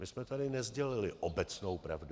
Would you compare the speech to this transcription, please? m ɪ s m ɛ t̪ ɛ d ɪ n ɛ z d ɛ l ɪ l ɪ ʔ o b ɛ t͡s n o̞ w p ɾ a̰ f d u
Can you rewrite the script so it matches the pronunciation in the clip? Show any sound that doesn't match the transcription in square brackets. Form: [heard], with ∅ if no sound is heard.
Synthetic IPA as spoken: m ɪ s m ɛ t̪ [a] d ɪ n ɛ z [ɟ] ɛ l ɪ l ɪ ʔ o b ɛ t͡s n o̞ w p ɾ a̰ [v] d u